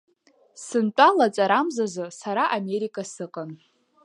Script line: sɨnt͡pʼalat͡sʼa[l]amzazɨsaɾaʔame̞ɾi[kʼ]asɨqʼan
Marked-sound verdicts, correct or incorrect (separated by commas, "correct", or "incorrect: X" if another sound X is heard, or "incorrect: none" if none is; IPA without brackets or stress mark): incorrect: ɾ, correct